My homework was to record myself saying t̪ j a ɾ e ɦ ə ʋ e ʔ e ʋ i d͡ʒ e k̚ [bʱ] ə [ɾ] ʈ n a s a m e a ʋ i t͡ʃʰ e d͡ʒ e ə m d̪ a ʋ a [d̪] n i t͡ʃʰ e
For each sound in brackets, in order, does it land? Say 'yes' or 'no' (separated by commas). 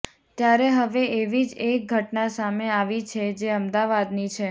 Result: no, no, yes